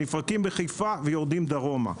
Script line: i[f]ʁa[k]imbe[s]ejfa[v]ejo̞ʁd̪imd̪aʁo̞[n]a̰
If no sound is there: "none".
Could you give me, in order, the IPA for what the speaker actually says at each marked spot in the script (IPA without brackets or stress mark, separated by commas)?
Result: f, k, χ, v, m